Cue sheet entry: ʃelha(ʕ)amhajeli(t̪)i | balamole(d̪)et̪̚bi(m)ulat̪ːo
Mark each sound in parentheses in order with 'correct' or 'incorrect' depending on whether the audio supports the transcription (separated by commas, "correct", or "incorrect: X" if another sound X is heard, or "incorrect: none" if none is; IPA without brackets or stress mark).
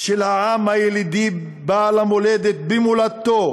correct, incorrect: d̪, correct, correct